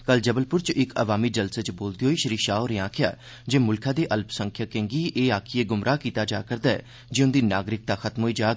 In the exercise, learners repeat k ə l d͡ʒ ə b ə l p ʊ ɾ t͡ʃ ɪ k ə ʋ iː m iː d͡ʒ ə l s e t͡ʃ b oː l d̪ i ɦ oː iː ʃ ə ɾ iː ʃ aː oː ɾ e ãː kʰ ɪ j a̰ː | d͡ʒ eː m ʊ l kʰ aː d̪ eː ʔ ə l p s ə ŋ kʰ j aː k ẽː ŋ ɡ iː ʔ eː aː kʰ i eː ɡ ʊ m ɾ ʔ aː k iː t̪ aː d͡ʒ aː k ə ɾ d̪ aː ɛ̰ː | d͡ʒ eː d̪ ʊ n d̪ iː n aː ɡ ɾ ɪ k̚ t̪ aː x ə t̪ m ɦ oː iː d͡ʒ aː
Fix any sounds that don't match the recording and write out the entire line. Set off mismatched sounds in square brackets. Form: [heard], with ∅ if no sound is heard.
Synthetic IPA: k ə l d͡ʒ ə b ə l p ʊ ɾ t͡ʃ ɪ k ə ʋ [aː] m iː d͡ʒ ə l s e t͡ʃ b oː l d̪ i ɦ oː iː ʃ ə ɾ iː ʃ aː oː ɾ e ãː kʰ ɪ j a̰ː | d͡ʒ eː m ʊ l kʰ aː d̪ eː ʔ ə l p s ə ŋ kʰ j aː k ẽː ŋ ɡ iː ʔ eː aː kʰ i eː ɡ ʊ m ɾ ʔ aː k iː t̪ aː d͡ʒ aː k ə ɾ d̪ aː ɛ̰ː | d͡ʒ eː [∅] ʊ n d̪ iː n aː ɡ ɾ ɪ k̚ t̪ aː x ə t̪ m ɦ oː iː d͡ʒ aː